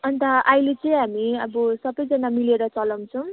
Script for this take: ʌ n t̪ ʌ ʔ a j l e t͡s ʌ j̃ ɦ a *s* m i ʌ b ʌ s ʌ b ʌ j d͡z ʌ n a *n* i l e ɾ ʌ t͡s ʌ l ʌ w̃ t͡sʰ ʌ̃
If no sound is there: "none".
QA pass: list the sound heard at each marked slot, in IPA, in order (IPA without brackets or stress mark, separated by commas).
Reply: none, m